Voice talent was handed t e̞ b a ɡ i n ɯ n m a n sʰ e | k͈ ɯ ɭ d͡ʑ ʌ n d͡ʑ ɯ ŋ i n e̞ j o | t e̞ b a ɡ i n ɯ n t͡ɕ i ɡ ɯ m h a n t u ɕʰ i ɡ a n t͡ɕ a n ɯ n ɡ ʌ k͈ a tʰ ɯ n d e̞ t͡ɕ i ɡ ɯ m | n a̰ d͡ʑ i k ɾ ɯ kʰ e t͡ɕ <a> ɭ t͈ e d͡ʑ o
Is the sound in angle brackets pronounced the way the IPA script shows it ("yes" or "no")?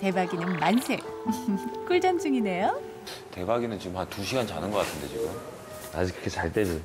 yes